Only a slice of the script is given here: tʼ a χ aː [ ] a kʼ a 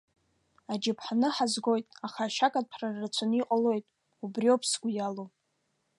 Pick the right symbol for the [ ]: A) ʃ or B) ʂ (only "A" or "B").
A